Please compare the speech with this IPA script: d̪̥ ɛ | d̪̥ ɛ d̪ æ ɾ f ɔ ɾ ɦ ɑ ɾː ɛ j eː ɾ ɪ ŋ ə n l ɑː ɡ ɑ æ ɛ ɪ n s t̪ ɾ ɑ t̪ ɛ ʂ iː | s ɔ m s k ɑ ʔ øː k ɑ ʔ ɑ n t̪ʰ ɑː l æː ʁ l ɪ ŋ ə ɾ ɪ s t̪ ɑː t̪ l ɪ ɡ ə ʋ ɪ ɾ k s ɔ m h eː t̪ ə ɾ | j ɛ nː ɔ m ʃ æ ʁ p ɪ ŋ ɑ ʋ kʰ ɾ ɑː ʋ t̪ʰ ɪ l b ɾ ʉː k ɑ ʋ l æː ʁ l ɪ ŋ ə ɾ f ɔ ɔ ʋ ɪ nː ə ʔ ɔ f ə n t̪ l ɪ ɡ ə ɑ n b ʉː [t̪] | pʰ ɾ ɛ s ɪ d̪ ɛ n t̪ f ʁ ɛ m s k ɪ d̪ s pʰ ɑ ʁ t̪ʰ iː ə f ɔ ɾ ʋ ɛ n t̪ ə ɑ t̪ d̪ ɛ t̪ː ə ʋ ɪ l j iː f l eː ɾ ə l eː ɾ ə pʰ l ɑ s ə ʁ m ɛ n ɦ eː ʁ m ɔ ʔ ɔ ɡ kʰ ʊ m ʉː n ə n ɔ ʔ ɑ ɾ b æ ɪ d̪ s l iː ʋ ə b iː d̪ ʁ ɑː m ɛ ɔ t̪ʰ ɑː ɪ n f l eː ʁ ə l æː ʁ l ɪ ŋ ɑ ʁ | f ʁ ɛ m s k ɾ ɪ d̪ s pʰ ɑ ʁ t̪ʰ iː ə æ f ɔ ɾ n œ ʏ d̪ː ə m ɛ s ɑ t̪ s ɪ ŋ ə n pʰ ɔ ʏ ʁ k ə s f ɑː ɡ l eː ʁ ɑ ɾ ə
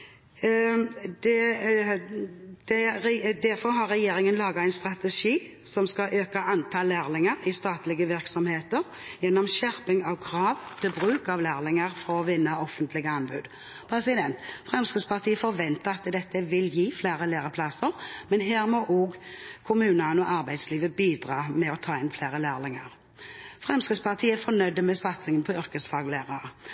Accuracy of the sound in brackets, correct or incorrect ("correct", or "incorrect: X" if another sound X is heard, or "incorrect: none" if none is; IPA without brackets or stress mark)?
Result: incorrect: d̪